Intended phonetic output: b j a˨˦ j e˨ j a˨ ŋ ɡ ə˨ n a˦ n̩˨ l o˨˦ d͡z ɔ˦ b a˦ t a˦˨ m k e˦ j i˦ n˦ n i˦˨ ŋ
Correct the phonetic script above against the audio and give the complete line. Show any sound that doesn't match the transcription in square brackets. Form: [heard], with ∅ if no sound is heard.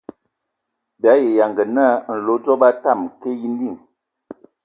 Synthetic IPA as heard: b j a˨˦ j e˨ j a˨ ŋ ɡ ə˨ n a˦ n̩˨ l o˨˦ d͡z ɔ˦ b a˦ t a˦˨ m k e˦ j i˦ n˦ [d] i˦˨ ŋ